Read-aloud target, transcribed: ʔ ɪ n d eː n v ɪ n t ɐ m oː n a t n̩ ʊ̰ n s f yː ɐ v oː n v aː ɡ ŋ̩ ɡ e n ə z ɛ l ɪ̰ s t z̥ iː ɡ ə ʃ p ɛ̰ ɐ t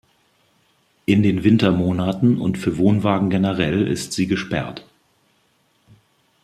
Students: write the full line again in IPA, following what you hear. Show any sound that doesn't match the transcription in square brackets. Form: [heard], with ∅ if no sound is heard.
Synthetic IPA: ʔ ɪ n d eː n v ɪ n t ɐ m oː n a t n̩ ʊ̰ n [t] f yː ɐ v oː n v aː ɡ ŋ̩ ɡ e n ə [ʁ] ɛ l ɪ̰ s t z̥ iː ɡ ə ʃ p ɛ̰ ɐ t